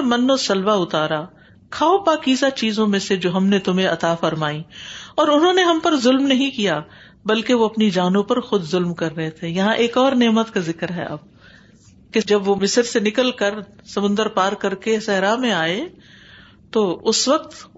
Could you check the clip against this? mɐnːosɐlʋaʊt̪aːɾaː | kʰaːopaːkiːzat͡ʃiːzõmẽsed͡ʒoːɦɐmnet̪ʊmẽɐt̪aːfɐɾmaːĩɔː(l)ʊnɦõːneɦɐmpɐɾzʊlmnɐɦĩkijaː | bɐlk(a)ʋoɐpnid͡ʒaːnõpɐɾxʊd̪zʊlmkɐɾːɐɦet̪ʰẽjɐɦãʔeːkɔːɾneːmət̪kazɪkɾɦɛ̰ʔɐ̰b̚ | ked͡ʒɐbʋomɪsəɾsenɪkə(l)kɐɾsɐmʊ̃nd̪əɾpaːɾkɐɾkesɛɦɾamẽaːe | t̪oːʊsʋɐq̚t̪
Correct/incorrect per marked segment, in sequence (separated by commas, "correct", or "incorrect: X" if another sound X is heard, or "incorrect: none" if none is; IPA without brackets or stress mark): incorrect: ɾ, incorrect: e, correct